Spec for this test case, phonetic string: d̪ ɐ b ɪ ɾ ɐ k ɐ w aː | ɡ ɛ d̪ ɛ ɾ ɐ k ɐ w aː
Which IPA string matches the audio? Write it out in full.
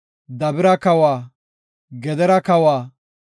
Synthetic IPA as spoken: d̪ ɐ b ɪ ɾ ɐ k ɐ w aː | ɡ ɛ d̪ ɛ ɾ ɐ k ɐ w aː